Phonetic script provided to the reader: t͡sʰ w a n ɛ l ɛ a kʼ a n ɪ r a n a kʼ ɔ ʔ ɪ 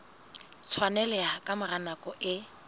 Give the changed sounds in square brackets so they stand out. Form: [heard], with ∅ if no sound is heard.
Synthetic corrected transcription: t͡sʰ w a n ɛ l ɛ a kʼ a [m] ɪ r a n a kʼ ɔ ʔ ɪ

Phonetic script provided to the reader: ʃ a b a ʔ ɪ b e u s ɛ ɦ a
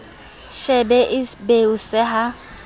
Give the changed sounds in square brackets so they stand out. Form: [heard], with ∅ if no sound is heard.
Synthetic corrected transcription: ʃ [ɛ] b [ɛ] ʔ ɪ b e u s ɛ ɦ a

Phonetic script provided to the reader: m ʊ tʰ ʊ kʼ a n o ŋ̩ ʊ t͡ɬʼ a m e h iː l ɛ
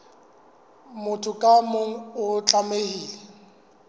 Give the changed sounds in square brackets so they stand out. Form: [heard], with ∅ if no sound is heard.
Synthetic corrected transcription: m ʊ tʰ ʊ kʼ a [m] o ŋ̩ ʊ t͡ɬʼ a m e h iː l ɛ

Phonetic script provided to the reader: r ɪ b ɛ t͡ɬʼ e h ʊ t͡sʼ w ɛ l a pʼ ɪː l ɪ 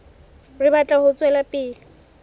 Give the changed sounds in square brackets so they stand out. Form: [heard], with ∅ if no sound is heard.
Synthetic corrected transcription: r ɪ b [a] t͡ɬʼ [a] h ʊ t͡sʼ w ɛ l a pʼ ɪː l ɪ

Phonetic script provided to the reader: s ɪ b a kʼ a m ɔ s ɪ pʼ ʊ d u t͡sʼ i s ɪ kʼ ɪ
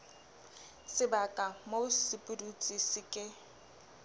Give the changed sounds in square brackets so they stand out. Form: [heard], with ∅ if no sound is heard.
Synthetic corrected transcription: s ɪ b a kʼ a m [o] s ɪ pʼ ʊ d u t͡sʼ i s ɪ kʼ ɪ

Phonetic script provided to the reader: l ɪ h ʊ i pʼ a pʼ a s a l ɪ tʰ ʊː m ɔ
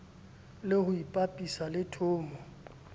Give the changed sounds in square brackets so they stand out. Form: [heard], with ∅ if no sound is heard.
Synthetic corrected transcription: l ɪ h ʊ i pʼ a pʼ [i] s a l ɪ tʰ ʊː m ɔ

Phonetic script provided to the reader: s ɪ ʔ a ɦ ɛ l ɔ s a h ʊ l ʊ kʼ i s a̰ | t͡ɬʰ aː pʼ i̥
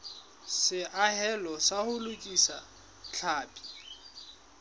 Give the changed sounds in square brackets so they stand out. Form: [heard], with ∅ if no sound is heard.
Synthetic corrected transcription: s ɪ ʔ a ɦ ɛ l ɔ s a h ʊ l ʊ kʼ i s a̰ | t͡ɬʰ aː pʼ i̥

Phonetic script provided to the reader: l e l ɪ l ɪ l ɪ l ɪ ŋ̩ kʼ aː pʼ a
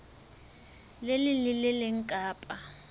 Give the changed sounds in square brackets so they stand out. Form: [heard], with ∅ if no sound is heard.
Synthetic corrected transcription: l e l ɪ l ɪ l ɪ l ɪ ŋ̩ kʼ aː pʼ a

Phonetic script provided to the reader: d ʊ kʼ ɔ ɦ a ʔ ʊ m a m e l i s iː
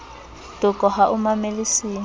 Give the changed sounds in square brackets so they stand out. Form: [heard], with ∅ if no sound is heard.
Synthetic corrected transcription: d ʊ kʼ ɔ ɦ a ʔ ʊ m a m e l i s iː

